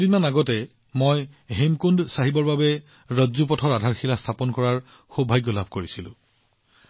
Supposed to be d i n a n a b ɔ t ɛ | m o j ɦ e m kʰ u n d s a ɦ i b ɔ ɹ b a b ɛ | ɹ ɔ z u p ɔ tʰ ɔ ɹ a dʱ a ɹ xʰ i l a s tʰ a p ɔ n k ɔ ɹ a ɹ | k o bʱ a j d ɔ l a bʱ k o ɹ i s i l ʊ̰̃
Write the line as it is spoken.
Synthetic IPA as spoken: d i n a n a ɡ ɔ t ɛ | m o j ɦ e m k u n d s a ɦ i b ɔ ɹ b a b ɛ | ɹ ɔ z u p ɔ tʰ ɔ ɹ a dʱ a ɹ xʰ i l a s tʰ a p ɔ n k ɔ ɹ a ɹ | x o bʱ a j ɡ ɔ l a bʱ k o ɹ i s i l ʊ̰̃